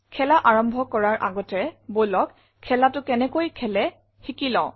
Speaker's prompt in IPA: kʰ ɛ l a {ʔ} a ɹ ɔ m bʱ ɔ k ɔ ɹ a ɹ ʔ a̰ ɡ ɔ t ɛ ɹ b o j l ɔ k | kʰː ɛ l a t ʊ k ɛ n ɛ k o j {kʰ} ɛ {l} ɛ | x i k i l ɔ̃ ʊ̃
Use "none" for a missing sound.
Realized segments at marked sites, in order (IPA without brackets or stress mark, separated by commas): ʔ, kʰ, l